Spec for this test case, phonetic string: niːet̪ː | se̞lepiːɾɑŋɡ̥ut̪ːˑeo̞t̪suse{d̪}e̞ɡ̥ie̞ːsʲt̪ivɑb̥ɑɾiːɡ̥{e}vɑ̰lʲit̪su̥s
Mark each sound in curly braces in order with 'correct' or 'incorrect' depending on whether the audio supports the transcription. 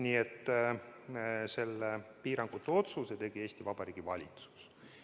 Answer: incorrect: t̪, incorrect: i

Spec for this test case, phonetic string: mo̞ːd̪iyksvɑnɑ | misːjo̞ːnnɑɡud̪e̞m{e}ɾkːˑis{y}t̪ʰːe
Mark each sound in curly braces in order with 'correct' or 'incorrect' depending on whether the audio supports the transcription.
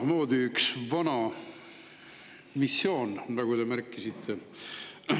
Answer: incorrect: æ, incorrect: i

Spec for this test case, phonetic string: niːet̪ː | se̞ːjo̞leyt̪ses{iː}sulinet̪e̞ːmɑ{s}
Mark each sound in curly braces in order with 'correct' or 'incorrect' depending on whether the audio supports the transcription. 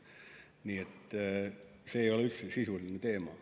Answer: incorrect: i, incorrect: none

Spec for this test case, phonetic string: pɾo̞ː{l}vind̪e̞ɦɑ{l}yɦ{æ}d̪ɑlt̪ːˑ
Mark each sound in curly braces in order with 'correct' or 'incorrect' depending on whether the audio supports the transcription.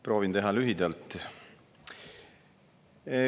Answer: incorrect: none, correct, incorrect: i

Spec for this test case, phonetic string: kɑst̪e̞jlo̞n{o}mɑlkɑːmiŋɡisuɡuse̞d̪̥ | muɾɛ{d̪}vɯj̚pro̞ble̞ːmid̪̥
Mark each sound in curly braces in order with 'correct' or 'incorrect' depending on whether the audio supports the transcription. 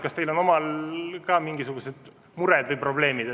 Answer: correct, correct

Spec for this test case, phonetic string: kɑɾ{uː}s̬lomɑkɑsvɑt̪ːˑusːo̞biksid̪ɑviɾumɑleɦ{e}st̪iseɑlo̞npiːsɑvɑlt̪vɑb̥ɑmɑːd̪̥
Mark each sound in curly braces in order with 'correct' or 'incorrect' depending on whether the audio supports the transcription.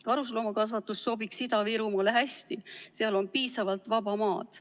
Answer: incorrect: u, incorrect: æ

